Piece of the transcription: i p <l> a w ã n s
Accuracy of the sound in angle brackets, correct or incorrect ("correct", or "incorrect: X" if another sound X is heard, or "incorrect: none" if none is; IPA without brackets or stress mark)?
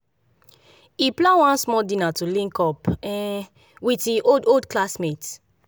correct